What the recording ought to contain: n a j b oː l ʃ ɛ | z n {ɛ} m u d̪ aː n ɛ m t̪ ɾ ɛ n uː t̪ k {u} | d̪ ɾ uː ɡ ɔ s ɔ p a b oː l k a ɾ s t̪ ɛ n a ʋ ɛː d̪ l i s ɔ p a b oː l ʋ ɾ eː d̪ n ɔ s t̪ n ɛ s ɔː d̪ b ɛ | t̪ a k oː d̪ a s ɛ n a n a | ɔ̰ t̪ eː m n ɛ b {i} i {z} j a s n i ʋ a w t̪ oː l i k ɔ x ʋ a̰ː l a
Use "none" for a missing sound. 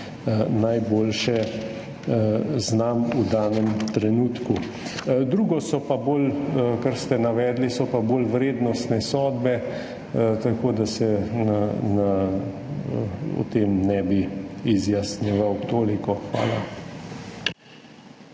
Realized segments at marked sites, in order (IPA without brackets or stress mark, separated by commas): a, u, i, z